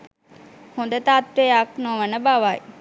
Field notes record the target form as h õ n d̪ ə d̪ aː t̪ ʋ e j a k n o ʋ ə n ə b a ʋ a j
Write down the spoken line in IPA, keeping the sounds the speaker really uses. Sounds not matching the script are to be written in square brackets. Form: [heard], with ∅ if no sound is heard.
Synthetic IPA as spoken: h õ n d̪ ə [t̪] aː t̪ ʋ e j a k n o ʋ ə n ə b a ʋ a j